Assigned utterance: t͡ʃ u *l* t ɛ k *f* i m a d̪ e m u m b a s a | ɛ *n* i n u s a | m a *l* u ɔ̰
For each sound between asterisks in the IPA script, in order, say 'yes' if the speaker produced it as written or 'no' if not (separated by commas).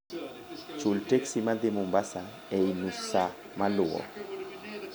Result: yes, no, no, yes